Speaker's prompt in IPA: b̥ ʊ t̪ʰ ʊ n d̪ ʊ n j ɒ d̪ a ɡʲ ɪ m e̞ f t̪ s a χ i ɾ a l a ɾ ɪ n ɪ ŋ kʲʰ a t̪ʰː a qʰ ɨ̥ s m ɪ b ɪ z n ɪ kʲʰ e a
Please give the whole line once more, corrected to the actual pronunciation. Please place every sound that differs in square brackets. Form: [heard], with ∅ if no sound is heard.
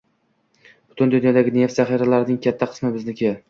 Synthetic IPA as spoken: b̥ ʊ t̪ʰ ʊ n d̪ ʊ n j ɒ d̪ a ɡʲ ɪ [n] e̞ f t̪ [z] a χ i ɾ a l a ɾ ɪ n ɪ ŋ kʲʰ a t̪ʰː a qʰ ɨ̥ s m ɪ b ɪ z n ɪ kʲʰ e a